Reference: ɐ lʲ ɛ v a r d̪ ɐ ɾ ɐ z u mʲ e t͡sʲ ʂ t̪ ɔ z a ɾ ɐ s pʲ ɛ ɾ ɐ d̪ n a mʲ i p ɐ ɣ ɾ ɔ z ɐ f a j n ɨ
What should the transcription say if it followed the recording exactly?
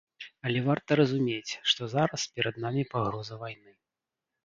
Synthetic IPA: ɐ lʲ ɛ v a r t̪ ɐ ɾ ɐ z u mʲ e t͡sʲ ʂ t̪ ɔ z a ɾ ɐ s pʲ ɛ ɾ ɐ d̪ n a mʲ i p a ɣ ɾ ɔ z ɐ v a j n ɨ